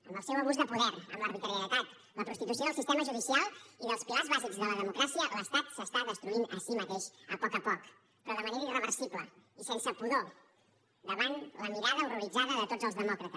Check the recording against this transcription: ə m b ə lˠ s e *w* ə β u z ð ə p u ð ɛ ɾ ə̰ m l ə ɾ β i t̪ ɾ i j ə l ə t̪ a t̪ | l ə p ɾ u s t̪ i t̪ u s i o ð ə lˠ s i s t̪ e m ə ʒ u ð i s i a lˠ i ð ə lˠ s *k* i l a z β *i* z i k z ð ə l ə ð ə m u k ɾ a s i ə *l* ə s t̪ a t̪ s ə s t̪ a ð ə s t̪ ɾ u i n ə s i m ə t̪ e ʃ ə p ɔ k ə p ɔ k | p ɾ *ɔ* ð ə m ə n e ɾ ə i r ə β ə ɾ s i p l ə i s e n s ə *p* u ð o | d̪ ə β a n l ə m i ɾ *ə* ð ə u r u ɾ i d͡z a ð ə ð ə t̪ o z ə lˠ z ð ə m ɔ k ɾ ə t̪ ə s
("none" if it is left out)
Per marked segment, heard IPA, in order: w, p, a, l, ɔ, p, a

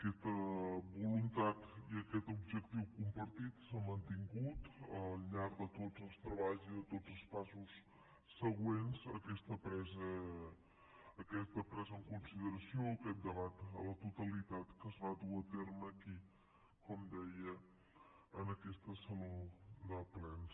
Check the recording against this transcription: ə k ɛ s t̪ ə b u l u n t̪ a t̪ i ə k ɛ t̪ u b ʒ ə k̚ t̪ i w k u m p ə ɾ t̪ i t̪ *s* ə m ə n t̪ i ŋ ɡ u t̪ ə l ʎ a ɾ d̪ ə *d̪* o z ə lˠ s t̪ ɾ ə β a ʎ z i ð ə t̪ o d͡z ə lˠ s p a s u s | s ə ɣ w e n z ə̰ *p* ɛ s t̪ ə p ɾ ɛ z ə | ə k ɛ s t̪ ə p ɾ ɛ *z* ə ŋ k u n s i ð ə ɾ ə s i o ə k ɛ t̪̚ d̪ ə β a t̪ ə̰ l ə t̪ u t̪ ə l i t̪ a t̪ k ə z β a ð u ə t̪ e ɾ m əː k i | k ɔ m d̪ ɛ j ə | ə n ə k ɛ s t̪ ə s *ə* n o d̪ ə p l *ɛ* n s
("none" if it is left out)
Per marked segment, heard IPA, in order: s, t̪, k, z, ə, ɛ

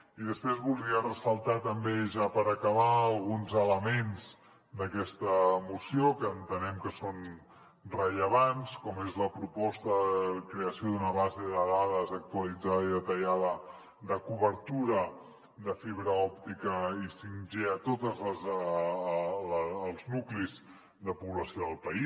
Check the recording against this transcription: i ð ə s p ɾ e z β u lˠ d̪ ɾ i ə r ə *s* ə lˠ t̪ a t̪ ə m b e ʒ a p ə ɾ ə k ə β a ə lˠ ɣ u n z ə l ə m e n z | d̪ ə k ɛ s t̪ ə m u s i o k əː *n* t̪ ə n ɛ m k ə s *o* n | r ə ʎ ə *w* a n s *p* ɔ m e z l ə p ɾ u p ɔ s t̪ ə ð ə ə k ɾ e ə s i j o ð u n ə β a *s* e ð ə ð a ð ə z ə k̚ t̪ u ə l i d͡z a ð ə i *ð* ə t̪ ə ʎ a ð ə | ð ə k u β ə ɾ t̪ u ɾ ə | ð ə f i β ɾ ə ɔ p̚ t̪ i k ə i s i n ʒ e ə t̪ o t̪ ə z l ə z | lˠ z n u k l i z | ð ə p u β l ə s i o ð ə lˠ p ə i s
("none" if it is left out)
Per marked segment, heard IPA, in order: s, n, o, β, k, z, ð

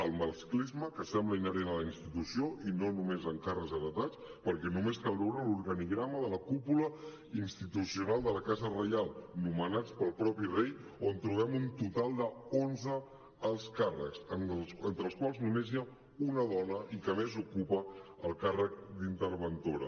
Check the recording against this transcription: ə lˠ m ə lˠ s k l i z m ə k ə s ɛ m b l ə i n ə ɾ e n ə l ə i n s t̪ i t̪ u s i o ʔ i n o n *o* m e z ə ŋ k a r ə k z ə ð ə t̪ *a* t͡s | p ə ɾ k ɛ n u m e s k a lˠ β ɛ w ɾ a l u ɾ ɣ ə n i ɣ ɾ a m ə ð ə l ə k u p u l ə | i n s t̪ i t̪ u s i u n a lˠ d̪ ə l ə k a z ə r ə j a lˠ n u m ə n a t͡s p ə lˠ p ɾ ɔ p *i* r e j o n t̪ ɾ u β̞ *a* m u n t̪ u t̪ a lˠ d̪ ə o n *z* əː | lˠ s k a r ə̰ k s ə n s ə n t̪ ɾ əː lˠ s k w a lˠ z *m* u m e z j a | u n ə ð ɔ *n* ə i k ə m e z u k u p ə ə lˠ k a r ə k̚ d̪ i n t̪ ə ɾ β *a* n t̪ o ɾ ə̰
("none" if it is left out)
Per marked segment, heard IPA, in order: u, a, i, ɛ, z, n, n, ə

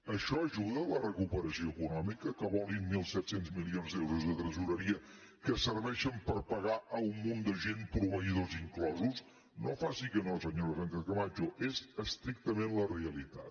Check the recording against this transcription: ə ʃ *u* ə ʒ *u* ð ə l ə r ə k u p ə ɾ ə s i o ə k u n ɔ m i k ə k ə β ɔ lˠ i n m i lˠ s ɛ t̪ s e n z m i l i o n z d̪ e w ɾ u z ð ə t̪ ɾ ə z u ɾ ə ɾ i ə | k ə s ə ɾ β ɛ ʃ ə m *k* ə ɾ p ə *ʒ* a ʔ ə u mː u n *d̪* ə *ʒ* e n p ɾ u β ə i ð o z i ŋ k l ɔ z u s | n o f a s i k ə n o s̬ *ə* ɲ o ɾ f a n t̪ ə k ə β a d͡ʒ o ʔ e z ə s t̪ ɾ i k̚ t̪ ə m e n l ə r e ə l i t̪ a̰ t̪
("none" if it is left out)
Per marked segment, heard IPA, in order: ɔ, u, p, ɣ, d̪, ʒ, ə

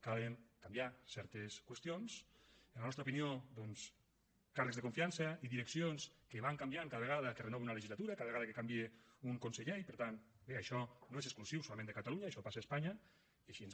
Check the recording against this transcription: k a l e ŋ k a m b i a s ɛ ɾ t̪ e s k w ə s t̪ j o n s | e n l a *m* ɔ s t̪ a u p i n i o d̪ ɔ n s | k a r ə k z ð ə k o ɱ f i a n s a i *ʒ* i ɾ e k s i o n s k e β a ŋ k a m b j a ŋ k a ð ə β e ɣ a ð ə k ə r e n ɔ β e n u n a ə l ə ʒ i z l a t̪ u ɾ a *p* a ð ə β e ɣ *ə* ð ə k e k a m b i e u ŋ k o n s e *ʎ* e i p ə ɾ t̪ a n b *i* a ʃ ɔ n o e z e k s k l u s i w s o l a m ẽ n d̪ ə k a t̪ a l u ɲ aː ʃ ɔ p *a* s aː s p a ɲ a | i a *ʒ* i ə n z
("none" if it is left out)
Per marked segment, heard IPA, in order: n, ð, k, a, ʎ, e, a, ʃ

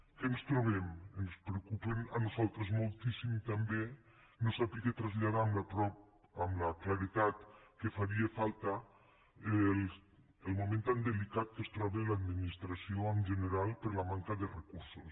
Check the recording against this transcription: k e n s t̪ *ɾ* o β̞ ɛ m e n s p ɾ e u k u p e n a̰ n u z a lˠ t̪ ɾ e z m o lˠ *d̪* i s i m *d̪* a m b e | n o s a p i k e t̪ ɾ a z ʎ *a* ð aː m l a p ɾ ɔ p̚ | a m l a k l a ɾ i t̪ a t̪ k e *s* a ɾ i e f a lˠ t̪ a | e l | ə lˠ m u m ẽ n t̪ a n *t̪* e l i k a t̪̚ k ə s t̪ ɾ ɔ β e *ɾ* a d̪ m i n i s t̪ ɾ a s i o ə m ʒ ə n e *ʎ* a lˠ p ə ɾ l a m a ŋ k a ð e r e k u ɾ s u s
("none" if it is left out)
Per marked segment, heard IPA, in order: ɾ, t̪, t̪, a, f, d̪, l, ɾ

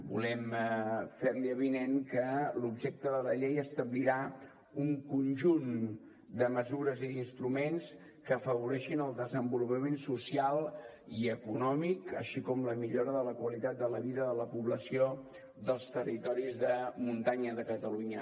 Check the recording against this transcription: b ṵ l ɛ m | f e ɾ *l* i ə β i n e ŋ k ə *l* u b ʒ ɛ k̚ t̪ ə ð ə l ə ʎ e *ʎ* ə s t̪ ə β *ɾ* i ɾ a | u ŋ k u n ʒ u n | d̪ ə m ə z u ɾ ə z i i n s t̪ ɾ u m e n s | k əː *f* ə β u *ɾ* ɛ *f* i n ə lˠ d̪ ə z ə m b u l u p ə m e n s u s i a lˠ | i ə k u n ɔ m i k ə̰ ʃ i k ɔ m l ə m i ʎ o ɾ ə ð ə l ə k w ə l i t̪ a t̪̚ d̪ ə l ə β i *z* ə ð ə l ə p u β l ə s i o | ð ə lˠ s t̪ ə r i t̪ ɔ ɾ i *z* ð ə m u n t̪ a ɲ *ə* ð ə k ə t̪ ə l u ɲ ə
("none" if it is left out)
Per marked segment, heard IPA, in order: l, l, j, l, f, ɾ, ʃ, ð, z, ə

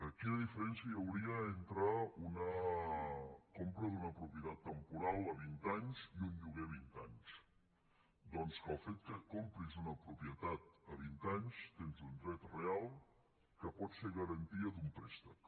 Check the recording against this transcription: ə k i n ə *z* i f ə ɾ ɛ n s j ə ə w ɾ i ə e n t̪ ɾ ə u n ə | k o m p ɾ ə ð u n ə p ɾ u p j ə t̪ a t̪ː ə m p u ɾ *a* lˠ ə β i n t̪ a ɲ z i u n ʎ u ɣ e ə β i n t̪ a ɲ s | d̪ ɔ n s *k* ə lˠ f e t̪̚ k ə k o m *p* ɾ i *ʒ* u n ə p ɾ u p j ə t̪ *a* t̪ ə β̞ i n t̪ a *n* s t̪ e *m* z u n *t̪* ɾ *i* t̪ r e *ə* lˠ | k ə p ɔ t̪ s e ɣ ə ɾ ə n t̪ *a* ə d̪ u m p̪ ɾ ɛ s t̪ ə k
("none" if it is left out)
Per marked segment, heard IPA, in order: ð, a, k, p, z, a, ɲ, n, d̪, ɛ, a, i

